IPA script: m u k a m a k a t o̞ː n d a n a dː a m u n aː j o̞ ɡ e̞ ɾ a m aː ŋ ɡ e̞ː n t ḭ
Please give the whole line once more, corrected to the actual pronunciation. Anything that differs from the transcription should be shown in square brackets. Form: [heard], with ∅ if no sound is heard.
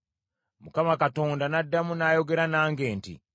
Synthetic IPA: m u k a m a k a t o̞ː n d a n a dː a m u n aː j o̞ ɡ e̞ ɾ a [n] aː ŋ ɡ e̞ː n t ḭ